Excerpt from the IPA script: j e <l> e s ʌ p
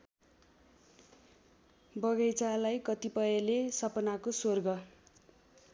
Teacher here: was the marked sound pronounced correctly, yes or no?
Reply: yes